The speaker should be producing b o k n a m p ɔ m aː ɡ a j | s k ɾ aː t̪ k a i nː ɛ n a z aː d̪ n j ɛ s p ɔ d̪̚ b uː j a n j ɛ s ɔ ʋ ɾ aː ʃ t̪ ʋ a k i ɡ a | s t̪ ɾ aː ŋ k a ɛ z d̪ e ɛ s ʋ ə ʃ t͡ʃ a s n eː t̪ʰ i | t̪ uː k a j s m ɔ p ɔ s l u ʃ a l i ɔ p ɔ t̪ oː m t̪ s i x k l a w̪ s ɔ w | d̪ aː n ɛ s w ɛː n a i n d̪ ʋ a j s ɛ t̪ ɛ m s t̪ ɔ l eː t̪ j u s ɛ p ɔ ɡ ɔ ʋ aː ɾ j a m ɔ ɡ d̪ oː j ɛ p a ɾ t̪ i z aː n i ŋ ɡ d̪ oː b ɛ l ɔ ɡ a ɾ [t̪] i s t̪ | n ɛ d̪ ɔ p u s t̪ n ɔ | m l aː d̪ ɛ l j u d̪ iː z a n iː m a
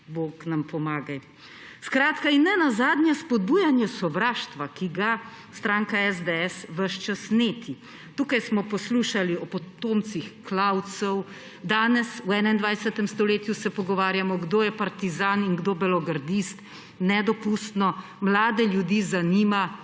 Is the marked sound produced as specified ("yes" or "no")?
no